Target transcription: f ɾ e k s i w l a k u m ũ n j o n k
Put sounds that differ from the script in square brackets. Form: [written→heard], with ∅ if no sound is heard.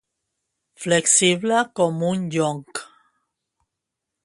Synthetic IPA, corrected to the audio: f [ɾ→l] e k s i [w→β] l a k [u→o] m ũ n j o [n→ŋ] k